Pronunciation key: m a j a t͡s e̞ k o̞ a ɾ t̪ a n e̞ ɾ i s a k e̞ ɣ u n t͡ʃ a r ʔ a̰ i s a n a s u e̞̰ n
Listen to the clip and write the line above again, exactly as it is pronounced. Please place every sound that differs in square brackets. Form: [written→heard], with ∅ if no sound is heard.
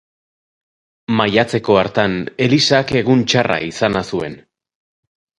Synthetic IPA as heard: m a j a t͡s e̞ k o̞ a ɾ t̪ a n e̞ [ɾ→l] i s a k e̞ ɣ u n t͡ʃ a r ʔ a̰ i s a n a s u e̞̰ n